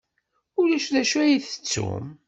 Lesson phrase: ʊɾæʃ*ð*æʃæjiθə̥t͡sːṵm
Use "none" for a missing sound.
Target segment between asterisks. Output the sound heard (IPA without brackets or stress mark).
ð